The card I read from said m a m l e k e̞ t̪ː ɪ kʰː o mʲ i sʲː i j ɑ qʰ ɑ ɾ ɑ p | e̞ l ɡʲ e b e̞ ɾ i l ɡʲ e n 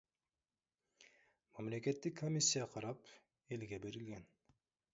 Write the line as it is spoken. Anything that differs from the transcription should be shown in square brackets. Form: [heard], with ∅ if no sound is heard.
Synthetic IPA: m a m l e k e̞ t̪ː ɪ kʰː o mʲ i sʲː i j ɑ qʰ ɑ ɾ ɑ p | e̞ l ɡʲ e b e̞ ɾ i l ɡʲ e n